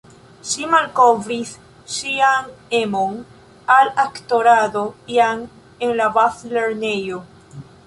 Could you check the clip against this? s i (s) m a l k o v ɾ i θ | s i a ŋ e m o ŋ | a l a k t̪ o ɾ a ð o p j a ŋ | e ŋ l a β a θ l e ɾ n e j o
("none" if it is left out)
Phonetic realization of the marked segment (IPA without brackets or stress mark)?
none